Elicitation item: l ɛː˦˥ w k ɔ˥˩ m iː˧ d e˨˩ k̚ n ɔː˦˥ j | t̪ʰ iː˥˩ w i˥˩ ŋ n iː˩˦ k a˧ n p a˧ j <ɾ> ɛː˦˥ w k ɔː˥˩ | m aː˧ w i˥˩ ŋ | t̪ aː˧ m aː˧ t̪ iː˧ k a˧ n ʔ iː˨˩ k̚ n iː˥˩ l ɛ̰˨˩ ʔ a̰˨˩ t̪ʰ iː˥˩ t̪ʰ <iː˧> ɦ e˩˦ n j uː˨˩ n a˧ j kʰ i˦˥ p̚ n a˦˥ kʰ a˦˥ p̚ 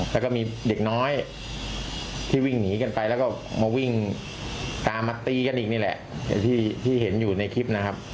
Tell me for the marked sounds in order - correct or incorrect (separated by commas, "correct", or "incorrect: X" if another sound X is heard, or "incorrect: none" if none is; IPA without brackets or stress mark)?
incorrect: l, incorrect: iː˥˩